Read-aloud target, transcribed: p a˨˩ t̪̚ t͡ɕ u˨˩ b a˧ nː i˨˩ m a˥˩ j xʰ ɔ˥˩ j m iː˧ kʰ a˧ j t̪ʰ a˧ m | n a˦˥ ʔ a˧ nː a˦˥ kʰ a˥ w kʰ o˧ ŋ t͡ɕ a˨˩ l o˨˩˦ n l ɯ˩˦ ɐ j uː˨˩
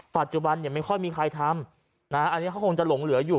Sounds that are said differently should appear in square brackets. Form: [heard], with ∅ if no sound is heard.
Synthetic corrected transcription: p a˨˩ t̪̚ t͡ɕ u˨˩ b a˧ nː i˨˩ m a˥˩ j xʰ ɔ˥˩ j m iː˧ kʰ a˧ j t̪ʰ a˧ m | n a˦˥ ʔ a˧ nː [i˦˥] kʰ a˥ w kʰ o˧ ŋ t͡ɕ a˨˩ l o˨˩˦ [ŋ] l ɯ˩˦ ɐ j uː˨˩